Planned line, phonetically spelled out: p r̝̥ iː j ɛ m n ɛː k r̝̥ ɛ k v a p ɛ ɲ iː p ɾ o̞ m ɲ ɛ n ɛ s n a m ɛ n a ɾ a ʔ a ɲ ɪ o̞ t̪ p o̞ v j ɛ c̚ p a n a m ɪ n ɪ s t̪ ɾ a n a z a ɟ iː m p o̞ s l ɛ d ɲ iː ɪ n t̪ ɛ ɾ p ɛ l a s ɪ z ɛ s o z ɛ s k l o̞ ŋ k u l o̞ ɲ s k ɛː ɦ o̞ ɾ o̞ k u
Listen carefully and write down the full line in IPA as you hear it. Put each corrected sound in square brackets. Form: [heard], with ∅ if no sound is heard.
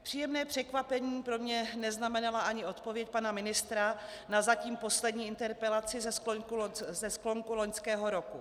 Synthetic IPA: p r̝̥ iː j ɛ m n ɛː [p] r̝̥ ɛ k v a p ɛ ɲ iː p ɾ o̞ m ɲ ɛ n ɛ [z] n a m ɛ n a [l] a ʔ a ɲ ɪ o̞ t̪ p o̞ v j ɛ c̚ p a n a m ɪ n ɪ s t̪ ɾ a n a z a [c] iː m p o̞ s l ɛ d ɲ iː ɪ n t̪ ɛ ɾ p ɛ l a [t͡s] ɪ z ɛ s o z ɛ s k l o̞ ŋ k u l o̞ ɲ s k ɛː ɦ o̞ ɾ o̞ k u